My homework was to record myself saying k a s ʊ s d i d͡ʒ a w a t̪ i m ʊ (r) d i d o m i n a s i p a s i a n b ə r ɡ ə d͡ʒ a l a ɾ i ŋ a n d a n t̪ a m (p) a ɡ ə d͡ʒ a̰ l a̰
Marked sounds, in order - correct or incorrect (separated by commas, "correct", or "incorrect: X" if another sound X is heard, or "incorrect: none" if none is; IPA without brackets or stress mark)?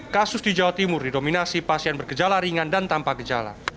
correct, correct